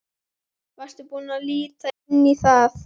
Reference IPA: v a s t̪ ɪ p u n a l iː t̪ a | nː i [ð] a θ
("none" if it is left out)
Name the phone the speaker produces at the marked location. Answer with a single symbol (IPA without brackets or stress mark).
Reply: θ